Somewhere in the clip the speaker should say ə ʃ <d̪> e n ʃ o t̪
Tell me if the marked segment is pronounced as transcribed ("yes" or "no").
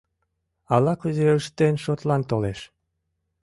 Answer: no